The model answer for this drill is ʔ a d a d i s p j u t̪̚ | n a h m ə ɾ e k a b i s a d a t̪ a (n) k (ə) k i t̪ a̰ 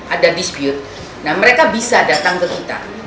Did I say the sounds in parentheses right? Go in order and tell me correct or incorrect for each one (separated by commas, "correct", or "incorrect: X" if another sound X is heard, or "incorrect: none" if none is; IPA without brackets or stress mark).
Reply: incorrect: ŋ, correct